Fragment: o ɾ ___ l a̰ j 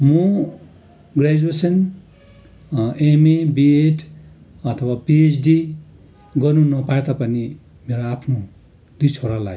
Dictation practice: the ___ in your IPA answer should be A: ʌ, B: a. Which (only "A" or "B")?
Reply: B